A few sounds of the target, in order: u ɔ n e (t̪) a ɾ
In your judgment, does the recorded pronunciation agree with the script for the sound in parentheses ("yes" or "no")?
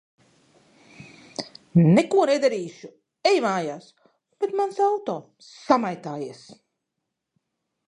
no